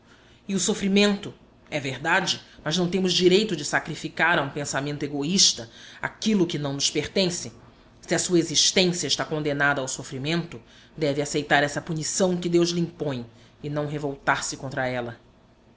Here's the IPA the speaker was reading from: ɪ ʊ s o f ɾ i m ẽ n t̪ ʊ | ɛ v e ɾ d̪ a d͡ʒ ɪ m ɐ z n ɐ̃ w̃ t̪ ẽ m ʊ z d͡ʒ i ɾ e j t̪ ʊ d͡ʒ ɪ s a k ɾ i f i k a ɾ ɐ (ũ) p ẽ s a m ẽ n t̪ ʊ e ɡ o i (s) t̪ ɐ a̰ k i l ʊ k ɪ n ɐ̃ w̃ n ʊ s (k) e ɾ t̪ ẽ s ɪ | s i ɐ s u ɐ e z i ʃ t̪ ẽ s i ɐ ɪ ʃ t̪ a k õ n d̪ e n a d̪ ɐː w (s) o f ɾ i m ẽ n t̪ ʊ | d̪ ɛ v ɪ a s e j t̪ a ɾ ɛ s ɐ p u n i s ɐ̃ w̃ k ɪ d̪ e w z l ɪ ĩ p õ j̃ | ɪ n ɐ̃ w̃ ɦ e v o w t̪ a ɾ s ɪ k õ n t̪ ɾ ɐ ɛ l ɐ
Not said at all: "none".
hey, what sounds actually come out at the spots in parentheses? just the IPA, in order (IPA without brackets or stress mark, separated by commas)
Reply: ũ, ʃ, p, s